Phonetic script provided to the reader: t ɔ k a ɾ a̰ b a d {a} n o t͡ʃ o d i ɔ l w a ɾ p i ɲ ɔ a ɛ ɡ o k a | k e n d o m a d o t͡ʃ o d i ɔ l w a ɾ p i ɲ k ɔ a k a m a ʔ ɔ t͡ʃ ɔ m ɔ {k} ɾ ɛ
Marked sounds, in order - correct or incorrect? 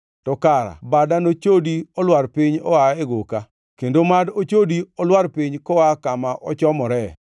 correct, incorrect: none

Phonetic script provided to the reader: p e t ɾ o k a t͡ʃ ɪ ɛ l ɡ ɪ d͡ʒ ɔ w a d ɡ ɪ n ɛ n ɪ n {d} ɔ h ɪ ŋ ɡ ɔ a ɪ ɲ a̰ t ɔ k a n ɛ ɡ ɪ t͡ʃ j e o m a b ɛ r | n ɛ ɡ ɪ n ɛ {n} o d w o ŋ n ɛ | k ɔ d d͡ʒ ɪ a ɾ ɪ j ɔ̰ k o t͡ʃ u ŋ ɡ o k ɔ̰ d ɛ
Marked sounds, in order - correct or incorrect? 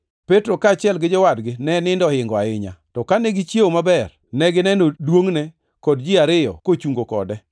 correct, correct

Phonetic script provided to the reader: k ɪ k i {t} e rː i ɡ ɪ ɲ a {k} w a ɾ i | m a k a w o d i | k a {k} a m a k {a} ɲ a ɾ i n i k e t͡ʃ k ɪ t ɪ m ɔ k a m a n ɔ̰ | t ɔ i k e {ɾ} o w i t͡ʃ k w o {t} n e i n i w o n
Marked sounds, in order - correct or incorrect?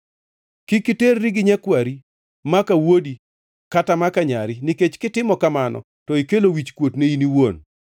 correct, correct, incorrect: t, correct, incorrect: l, correct

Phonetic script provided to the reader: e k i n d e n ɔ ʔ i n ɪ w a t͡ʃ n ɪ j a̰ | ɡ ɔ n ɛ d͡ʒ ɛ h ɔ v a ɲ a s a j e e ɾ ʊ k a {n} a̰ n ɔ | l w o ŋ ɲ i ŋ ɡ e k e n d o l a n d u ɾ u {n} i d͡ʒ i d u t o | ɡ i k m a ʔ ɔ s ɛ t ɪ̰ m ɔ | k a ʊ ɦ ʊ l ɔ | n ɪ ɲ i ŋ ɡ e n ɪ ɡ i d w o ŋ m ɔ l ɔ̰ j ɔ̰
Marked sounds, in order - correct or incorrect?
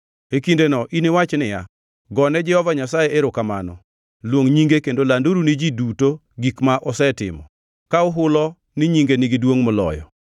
incorrect: m, correct

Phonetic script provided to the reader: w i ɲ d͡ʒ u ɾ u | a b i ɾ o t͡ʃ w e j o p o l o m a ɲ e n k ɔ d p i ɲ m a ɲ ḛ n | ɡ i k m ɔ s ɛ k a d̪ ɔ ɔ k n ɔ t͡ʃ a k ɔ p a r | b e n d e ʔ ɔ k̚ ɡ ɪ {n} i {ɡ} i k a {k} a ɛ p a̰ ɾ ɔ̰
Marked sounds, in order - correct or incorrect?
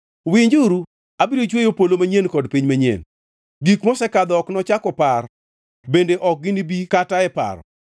correct, incorrect: b, incorrect: t

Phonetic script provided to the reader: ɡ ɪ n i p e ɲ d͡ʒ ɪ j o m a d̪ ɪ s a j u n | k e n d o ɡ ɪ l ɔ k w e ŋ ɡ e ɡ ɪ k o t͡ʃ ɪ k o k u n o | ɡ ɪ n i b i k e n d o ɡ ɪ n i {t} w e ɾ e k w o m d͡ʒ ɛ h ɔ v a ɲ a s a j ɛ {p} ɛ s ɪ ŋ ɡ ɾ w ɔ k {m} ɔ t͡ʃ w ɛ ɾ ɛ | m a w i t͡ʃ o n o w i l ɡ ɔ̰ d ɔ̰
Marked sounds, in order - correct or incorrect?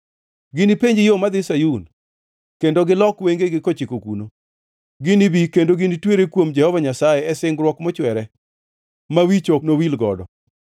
correct, incorrect: none, correct

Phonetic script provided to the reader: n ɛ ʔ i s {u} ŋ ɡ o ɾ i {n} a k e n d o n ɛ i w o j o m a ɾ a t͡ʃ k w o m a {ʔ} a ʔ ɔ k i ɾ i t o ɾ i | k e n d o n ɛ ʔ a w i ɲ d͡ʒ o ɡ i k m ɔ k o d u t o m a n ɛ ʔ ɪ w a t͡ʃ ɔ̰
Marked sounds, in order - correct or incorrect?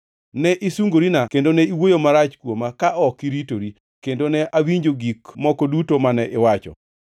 correct, correct, incorrect: k

